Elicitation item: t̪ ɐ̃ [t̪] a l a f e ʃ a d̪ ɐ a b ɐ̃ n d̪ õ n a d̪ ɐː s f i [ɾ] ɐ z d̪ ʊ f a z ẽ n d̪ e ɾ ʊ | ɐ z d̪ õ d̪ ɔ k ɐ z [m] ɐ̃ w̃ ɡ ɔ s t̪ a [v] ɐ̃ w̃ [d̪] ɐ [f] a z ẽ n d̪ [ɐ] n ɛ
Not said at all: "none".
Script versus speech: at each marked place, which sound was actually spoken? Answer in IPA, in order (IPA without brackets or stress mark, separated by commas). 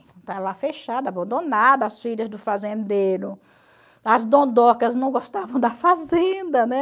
t̪, ʎ, n, v, d̪, f, ɐ